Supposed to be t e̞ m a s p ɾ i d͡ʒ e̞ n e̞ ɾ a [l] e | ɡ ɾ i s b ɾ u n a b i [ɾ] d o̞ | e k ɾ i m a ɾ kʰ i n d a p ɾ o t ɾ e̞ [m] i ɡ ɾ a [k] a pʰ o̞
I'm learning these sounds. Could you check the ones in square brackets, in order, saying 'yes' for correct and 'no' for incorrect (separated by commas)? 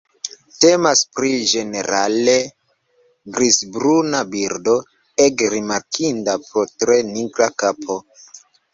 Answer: yes, yes, no, yes